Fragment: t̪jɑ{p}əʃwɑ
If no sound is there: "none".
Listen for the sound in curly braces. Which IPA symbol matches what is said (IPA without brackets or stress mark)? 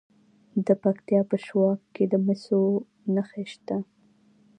p